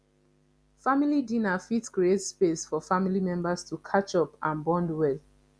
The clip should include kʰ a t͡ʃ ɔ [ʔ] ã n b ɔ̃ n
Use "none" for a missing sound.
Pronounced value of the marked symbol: p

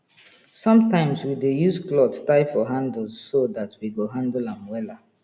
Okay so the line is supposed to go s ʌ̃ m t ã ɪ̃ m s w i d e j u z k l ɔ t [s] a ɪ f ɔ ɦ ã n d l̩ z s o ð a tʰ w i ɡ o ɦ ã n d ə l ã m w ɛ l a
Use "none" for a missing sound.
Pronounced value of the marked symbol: t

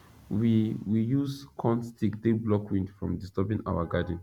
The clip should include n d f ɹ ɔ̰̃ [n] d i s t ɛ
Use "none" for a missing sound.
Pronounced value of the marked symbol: m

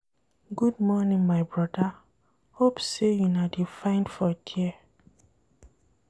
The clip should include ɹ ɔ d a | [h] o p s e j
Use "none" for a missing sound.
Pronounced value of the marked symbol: h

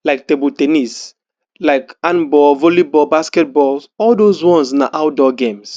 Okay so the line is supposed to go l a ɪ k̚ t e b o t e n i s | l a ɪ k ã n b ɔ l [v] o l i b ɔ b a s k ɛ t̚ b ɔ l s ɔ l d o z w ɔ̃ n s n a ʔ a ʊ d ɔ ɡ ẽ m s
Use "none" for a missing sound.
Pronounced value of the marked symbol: v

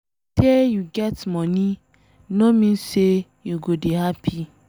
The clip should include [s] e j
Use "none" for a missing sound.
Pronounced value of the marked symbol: t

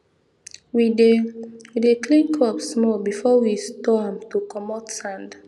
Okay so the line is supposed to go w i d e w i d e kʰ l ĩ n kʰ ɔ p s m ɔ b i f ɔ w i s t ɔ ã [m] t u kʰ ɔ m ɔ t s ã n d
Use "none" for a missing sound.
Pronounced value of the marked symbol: m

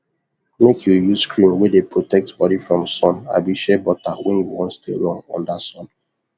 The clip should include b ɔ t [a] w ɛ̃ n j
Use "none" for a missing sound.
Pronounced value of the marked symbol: a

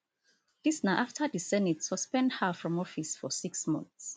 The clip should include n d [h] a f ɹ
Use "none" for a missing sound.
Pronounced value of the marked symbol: h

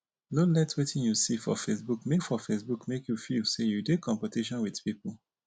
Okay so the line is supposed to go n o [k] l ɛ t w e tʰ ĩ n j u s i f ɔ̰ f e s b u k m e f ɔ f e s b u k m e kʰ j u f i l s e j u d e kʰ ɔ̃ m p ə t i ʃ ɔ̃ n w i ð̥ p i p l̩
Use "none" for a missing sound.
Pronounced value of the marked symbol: none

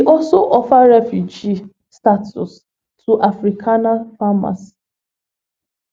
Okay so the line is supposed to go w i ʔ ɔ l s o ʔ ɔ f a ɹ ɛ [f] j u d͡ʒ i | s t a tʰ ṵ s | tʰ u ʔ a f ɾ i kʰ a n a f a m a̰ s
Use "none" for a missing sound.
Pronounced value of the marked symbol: f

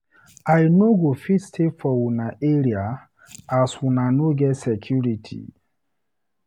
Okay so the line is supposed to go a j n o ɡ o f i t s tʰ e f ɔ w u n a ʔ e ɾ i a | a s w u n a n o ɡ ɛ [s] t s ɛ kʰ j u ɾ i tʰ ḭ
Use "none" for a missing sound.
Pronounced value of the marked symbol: none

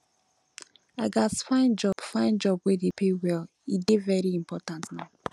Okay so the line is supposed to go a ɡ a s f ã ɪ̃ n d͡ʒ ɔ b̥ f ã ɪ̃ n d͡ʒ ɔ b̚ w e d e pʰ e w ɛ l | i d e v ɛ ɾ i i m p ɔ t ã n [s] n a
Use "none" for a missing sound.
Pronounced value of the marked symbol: t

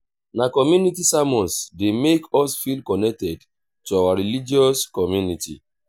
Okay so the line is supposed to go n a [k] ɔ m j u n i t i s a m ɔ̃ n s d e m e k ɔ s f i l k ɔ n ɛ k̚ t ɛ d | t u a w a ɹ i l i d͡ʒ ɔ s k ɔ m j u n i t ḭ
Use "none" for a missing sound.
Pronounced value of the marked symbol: k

